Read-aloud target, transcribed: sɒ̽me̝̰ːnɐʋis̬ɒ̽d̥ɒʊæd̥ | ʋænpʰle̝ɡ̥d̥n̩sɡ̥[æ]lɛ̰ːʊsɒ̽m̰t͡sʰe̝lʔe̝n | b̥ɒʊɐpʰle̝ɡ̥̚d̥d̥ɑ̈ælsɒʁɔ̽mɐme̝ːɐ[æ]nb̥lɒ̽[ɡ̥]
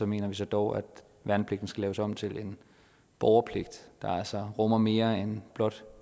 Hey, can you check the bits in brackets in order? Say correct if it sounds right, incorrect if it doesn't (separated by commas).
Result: correct, incorrect, incorrect